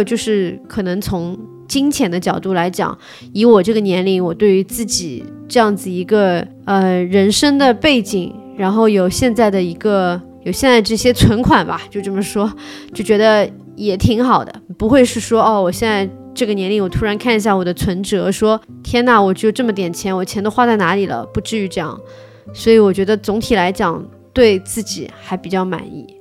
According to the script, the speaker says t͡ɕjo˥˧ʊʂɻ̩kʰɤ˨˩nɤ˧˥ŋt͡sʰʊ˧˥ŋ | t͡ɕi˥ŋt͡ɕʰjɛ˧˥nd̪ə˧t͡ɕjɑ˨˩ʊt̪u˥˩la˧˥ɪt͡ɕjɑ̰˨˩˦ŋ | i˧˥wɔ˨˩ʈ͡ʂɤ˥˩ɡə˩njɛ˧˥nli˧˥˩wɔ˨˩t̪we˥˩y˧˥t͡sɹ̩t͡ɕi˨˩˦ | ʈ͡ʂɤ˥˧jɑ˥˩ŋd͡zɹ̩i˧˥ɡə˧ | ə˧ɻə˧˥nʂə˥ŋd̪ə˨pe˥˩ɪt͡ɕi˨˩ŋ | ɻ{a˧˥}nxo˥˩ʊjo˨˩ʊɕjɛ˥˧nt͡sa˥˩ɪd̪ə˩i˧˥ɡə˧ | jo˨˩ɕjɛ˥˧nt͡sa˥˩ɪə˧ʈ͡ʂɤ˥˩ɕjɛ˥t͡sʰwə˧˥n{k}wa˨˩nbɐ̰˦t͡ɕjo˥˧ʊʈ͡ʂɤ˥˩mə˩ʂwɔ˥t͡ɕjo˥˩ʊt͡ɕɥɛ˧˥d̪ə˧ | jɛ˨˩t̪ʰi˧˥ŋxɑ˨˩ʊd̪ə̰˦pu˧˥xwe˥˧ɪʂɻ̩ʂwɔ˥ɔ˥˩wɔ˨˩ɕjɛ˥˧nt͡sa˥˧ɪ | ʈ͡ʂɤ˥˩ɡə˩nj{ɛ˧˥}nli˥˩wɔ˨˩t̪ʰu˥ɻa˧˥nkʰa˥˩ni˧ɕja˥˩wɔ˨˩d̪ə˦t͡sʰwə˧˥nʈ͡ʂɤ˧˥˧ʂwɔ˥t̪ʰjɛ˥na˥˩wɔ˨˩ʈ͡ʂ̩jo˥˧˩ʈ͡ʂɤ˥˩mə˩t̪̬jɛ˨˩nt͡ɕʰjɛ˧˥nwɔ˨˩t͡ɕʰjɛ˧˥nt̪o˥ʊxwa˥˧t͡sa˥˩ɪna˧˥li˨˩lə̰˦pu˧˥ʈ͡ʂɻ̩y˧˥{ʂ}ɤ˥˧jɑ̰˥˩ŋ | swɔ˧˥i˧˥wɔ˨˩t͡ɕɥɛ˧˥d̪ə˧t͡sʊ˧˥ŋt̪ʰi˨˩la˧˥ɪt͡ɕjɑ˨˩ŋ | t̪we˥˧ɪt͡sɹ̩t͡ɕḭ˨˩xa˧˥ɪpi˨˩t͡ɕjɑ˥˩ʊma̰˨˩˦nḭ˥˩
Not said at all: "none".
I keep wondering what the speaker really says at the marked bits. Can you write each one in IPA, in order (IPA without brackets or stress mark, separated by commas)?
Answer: a˧˥, kʰ, ɛ˧˥, ʈ͡ʂ